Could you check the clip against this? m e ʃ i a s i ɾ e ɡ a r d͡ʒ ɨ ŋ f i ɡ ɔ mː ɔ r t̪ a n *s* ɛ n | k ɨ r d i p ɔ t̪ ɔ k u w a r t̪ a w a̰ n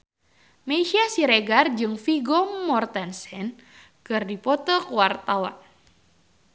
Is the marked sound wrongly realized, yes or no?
no